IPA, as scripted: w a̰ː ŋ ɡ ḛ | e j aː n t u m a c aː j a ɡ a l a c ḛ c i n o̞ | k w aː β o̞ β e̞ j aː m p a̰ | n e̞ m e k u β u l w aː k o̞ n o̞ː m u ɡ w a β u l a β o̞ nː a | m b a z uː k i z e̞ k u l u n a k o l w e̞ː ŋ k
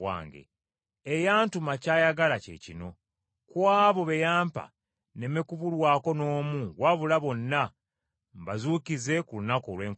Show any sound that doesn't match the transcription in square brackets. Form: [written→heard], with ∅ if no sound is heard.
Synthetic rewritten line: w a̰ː ŋ ɡ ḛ | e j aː n t u m a c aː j a ɡ a l a c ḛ c i n o̞ | k w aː β o̞ β e̞ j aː m p a̰ | n e̞ m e k u β u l w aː k o̞ n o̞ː m u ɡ w a β u l a β o̞ nː a | m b a z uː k i z e̞ k u l u n a k o l w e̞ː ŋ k